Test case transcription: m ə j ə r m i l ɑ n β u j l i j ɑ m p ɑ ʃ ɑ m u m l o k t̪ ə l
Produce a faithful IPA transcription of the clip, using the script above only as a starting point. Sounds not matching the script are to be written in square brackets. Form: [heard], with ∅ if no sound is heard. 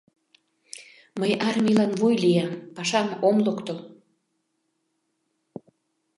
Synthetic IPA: m ə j [ɑ] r m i l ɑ n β u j l i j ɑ m p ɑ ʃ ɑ m [o] m l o k t̪ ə l